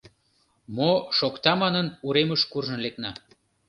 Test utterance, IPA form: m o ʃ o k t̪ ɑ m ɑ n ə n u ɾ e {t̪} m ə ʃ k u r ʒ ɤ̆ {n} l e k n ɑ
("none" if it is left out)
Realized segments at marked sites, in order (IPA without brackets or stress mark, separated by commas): none, n